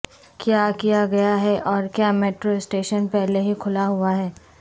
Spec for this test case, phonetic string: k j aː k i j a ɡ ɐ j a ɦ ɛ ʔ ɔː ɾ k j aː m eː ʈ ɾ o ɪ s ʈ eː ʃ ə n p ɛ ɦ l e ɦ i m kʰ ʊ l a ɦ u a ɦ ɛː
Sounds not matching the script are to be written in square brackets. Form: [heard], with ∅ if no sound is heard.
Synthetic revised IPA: k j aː k i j a ɡ ɐ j a ɦ ɛ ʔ ɔː ɾ k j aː m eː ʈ ɾ o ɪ s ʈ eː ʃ ə n p ɛ ɦ l e ɦ i [∅] kʰ ʊ l a ɦ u a ɦ ɛː